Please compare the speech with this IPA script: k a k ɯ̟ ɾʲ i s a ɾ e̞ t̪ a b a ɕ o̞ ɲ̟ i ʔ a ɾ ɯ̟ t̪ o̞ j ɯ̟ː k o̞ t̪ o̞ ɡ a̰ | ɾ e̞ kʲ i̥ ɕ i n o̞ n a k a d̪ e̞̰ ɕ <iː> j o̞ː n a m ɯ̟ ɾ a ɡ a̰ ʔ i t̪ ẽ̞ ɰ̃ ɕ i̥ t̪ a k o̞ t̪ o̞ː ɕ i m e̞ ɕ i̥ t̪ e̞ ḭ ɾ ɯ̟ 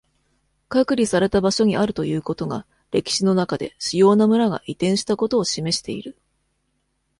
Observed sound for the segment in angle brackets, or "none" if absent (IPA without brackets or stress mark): i